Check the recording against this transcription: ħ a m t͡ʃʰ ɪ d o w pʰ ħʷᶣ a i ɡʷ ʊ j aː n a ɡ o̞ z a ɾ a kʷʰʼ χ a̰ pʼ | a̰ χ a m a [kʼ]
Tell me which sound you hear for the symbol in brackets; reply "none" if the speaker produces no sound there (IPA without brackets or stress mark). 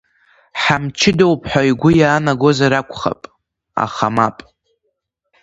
pʼ